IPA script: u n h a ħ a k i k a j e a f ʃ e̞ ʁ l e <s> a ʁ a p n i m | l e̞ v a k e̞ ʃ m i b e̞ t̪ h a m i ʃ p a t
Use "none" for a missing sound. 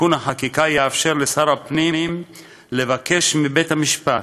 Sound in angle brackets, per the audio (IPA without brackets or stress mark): s